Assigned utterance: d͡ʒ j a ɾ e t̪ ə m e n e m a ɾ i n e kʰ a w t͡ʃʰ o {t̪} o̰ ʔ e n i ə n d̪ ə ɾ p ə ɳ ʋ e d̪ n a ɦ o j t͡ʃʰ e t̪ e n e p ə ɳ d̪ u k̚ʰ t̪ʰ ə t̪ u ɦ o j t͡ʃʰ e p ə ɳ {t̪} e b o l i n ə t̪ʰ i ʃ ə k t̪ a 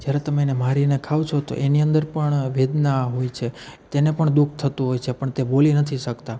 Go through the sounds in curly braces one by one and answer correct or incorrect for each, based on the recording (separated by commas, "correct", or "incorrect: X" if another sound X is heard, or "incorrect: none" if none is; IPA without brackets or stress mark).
correct, correct